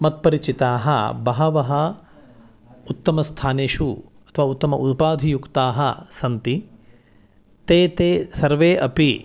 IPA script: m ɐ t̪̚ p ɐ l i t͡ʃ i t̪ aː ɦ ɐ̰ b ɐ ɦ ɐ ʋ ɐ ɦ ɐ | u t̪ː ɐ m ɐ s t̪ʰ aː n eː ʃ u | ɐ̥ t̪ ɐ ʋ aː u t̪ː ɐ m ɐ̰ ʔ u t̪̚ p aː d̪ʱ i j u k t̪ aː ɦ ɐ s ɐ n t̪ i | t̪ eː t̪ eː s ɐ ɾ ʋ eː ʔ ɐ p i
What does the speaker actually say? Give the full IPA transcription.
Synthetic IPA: m ɐ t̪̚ p ɐ ɾ i t͡ʃ i t̪ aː ɦ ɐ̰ b ɐ ɦ ɐ ʋ ɐ ɦ ɐ | u t̪ː ɐ m ɐ s t̪ʰ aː n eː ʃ u | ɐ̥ t̪ʰ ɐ ʋ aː u t̪ː ɐ m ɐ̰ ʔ u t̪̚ p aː d̪ʱ i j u k t̪ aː ɦ ɐ s ɐ n t̪ i | t̪ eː t̪ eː s ɐ ɾ ʋ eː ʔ ɐ p i